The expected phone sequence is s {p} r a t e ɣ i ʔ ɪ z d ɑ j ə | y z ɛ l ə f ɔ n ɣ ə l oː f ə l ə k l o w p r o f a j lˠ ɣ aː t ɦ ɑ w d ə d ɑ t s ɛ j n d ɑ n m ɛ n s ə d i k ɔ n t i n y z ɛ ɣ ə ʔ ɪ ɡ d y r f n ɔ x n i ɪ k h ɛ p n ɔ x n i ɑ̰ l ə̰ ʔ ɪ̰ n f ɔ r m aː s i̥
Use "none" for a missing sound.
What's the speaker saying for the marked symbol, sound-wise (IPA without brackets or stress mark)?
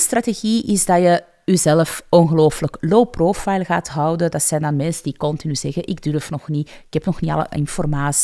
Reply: t